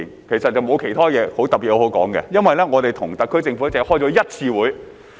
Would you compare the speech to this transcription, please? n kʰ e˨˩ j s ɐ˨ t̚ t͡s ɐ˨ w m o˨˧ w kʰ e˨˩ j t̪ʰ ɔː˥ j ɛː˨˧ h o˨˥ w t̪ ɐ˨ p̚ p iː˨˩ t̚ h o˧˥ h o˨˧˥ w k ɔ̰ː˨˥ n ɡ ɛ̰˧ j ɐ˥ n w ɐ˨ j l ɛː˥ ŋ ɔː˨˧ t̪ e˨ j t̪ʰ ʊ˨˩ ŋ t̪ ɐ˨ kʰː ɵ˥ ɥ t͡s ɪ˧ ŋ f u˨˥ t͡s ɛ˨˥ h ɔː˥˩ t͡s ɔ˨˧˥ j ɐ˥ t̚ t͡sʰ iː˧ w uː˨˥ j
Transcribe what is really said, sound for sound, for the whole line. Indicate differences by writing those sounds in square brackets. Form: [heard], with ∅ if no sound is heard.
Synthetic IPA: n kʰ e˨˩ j s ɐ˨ t̚ t͡s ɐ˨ w m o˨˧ w kʰ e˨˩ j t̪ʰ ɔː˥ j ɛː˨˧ h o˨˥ w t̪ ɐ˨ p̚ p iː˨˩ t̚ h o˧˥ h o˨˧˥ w k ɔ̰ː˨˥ [ŋ] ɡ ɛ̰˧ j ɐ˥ n w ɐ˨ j l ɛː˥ ŋ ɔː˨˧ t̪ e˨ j t̪ʰ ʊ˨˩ ŋ t̪ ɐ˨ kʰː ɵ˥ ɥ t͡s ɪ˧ ŋ f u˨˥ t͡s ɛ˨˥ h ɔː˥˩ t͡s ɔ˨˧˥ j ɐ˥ t̚ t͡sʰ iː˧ w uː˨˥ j